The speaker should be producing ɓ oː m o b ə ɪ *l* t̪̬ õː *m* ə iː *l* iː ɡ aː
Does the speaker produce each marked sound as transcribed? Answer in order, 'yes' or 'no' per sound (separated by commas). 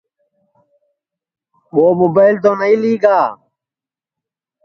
yes, no, yes